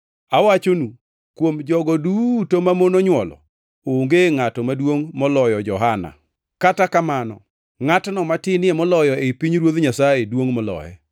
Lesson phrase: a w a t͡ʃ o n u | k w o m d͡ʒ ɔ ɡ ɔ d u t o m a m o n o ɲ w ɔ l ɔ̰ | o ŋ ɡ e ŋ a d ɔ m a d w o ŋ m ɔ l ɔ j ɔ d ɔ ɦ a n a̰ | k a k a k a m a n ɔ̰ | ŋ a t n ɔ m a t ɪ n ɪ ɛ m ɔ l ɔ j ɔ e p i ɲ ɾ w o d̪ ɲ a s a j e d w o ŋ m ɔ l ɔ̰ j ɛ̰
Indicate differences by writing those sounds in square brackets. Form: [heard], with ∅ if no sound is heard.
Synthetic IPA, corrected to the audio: a w a t͡ʃ o n u | k w o m d͡ʒ ɔ ɡ ɔ d u t o m a m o n o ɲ w ɔ l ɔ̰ | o ŋ ɡ e ŋ a [t] ɔ m a d w o ŋ m ɔ l ɔ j ɔ [d͡ʒ] ɔ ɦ a n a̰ | k a [t] a k a m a n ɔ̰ | ŋ a t n ɔ m a t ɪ n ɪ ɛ m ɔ l ɔ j ɔ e p i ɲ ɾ w o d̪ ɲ a s a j e d w o ŋ m ɔ l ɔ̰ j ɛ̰

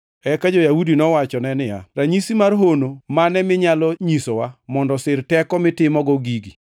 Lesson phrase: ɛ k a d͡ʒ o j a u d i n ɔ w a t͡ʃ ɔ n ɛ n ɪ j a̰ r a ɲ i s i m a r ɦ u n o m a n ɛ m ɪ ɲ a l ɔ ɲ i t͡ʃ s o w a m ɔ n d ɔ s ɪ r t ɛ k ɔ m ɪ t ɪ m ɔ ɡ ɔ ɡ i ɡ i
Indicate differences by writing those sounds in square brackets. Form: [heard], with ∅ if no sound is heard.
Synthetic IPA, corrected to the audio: ɛ k a d͡ʒ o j a u d i n ɔ w a t͡ʃ ɔ n ɛ n ɪ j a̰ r a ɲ i s i m a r ɦ [o] n o m a n ɛ m ɪ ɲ a l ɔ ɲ i [∅] s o w a m ɔ n d ɔ s ɪ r t ɛ k ɔ m ɪ t ɪ m ɔ ɡ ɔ ɡ i ɡ i

